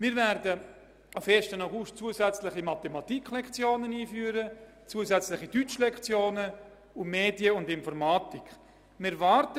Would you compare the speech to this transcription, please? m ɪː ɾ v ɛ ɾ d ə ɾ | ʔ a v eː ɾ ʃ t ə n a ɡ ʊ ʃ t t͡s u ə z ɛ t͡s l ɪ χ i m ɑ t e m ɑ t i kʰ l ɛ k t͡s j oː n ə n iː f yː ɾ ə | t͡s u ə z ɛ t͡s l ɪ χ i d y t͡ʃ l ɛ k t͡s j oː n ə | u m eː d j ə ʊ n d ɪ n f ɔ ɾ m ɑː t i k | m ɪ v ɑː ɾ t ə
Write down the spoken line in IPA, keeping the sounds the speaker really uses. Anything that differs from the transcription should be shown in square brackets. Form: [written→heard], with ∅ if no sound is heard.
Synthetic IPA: m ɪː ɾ v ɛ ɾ d ə [ɾ→∅] | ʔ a [v→f] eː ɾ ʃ t ə n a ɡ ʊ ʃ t t͡s u ə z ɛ t͡s l ɪ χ i m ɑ t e m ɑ t i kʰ l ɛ k t͡s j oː n ə n iː f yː ɾ ə | t͡s u ə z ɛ t͡s l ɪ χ i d y t͡ʃ l ɛ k t͡s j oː n ə | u m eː d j ə ʊ n d ɪ n f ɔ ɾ m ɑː t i k | m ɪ v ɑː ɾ t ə